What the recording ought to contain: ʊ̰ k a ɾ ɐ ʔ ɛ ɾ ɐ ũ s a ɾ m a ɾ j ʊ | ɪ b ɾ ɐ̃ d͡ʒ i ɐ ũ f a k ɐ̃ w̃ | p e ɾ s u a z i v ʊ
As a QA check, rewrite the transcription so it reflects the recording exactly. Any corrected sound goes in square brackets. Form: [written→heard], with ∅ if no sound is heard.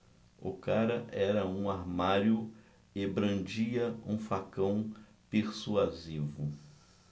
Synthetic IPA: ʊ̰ k a ɾ ɐ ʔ ɛ ɾ ɐ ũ [s→∅] a ɾ m a ɾ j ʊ | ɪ b ɾ ɐ̃ d͡ʒ i ɐ ũ f a k ɐ̃ w̃ | p e ɾ s u a z i v ʊ